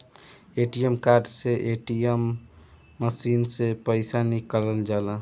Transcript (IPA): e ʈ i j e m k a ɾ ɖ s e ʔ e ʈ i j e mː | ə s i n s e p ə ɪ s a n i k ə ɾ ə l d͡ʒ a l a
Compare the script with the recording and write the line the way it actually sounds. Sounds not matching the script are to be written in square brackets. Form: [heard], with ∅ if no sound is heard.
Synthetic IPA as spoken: e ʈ i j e m k a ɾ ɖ s e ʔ e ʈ i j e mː | ə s i n s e p ə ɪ s a n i k ə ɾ ə l d͡ʒ a l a

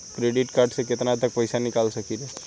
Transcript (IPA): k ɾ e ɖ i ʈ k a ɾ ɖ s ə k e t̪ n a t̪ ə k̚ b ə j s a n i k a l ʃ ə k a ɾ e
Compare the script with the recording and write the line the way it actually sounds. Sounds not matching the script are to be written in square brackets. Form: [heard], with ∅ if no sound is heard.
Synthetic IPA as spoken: k ɾ e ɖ i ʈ k a ɾ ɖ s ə k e t̪ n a t̪ ə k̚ [p] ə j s a n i k a l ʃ ə k [i] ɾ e

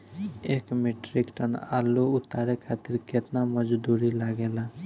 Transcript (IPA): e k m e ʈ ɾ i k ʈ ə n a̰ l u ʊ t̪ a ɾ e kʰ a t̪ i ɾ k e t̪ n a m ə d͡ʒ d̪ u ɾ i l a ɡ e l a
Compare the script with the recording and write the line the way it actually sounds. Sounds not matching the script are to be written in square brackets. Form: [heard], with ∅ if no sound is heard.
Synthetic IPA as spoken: e k m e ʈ ɾ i k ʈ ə n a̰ l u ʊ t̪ a ɾ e kʰ a t̪ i ɾ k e t̪ n a m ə d͡ʒ d̪ u ɾ i l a ɡ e l a

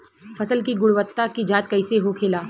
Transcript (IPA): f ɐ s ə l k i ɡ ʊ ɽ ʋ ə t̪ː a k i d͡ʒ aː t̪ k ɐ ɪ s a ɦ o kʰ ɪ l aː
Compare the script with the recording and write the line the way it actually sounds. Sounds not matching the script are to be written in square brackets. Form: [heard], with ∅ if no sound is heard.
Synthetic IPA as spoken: f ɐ s ə l k i ɡ ʊ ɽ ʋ ə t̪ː a k i d͡ʒ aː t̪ k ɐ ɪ s [e] ɦ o kʰ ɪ l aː

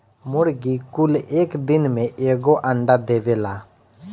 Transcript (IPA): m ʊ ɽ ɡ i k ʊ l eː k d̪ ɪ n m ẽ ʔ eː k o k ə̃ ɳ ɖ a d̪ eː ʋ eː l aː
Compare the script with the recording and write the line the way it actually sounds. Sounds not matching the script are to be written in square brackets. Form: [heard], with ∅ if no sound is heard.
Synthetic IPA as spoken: m ʊ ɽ ɡ i k ʊ l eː k d̪ ɪ n m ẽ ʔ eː [ɡ] o [ʔ] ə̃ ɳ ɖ a d̪ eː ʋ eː l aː

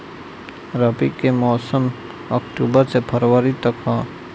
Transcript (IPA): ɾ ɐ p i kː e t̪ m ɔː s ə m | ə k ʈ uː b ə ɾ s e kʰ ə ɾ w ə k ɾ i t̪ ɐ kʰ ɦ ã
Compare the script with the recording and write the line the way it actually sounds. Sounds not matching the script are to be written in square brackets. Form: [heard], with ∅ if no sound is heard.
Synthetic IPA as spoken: ɾ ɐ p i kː e [∅] m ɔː s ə m | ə k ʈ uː b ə ɾ s e [pʰ] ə ɾ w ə [∅] ɾ i t̪ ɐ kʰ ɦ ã

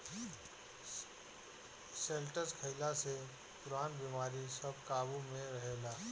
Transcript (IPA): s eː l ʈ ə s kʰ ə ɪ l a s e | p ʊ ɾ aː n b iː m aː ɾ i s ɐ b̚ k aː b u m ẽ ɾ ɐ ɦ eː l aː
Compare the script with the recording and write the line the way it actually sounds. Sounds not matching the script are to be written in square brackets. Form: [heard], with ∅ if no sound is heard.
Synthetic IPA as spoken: s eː l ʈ ə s kʰ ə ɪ l a s e | p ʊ ɾ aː n b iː m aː ɾ i s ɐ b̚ k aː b u m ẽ ɾ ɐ ɦ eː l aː

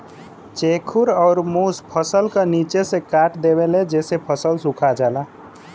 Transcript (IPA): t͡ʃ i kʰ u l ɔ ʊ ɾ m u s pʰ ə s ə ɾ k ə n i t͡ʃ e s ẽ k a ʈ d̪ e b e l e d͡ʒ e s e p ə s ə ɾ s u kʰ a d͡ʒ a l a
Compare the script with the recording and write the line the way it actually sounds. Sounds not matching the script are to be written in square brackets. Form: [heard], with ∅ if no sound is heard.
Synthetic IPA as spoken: t͡ʃ [e] kʰ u [ɾ] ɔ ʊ ɾ m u s pʰ ə s ə [l] k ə n i t͡ʃ e s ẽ k a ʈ d̪ e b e l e d͡ʒ e s e [pʰ] ə s ə [l] s u kʰ a d͡ʒ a l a

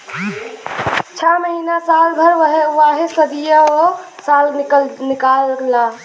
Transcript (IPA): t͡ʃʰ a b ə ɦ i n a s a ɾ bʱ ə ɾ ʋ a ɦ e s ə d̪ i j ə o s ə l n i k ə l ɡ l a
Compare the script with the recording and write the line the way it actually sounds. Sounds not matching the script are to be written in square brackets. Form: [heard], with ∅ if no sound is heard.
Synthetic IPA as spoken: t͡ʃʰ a [m] ə ɦ i n a s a [l] bʱ ə ɾ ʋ a ɦ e s ə d̪ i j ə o s [a] l n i k [a] l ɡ l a

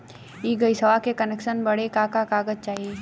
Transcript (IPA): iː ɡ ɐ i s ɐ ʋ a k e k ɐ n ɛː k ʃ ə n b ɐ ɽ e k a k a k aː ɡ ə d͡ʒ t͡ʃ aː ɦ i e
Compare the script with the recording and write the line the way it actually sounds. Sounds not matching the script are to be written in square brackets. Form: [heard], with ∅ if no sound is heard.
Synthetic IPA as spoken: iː ɡ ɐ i s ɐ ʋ a k e k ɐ n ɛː k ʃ ə n b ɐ ɽ e k a k a k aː ɡ ə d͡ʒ t͡ʃ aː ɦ i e

